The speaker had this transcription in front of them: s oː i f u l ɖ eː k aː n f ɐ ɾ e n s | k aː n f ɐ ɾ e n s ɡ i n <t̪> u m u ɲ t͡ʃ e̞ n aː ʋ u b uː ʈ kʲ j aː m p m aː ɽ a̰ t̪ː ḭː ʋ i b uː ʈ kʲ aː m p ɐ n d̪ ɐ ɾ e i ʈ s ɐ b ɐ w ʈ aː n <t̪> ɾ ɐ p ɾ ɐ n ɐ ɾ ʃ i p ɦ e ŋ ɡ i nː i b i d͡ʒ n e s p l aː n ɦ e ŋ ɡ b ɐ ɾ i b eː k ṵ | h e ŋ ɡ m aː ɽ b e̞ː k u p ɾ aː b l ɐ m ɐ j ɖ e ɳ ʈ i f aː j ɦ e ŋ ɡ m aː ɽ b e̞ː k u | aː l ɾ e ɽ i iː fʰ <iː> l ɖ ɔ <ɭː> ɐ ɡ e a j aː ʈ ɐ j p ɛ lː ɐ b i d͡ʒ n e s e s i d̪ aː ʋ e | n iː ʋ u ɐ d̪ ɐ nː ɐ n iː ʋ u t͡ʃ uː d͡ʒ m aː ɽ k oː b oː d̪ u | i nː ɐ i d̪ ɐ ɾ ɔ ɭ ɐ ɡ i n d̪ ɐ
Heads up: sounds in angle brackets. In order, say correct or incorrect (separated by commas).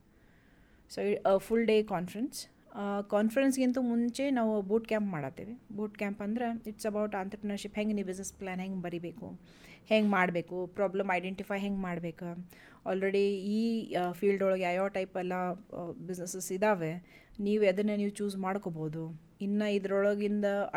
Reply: correct, correct, correct, incorrect